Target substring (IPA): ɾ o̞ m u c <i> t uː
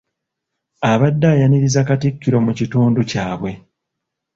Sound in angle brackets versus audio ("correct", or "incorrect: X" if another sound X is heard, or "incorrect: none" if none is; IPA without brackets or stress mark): correct